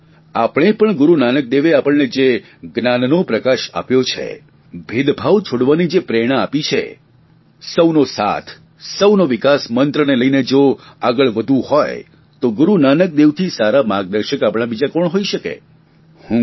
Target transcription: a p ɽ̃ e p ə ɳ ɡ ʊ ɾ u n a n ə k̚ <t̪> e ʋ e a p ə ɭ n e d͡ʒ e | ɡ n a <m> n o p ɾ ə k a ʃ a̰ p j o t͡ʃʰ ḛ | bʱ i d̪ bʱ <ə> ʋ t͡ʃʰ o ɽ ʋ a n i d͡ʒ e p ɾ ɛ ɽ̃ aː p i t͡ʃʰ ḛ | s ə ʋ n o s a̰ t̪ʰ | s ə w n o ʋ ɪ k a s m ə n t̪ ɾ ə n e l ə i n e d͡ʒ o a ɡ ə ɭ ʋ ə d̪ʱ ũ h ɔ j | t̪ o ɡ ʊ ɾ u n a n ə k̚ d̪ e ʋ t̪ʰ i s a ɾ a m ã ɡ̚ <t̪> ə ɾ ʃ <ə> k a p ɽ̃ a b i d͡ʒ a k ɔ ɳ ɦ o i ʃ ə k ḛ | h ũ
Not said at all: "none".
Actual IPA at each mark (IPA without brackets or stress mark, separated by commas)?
d̪, n, a, d̪, ə